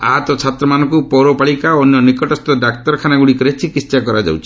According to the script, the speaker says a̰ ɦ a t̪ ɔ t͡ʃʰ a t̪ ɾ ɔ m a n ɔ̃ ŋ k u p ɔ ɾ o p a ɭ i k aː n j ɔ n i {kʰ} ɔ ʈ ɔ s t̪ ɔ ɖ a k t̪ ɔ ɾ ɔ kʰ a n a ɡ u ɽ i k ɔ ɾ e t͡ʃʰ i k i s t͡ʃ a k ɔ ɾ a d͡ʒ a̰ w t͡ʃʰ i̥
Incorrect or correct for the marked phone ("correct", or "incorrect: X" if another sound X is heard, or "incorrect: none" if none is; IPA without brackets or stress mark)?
incorrect: k